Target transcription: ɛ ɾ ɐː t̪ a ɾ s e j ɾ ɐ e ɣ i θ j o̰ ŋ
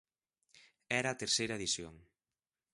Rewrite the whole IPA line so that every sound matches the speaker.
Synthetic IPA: ɛ ɾ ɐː t̪ e ɾ s e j ɾ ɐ e ð i s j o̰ ŋ